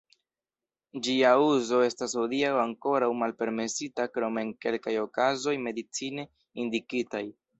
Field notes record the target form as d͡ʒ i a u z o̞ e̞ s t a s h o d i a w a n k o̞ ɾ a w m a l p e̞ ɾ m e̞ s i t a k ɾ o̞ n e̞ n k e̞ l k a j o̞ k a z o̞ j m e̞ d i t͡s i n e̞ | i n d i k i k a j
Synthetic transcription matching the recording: d͡ʒ i a u z o̞ e̞ s t a s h o d i a w a ŋ k o̞ ɾ a w m a l p e̞ ɾ m e̞ s i t a k ɾ o̞ m e̞ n k e̞ l k a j o̞ k a z o̞ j m e̞ d i t͡s i n e̞ | i n d i k i t a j